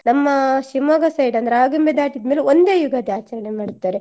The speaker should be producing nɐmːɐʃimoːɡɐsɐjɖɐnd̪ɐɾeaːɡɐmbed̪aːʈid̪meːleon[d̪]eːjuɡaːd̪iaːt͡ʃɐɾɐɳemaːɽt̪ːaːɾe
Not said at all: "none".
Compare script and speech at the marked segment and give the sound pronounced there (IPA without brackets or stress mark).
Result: d̪